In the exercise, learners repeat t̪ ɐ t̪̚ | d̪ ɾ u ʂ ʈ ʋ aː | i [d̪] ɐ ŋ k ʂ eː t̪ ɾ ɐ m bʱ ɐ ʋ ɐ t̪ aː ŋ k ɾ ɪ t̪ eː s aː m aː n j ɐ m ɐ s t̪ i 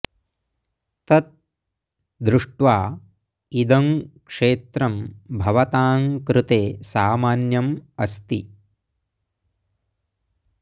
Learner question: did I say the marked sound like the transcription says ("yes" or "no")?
yes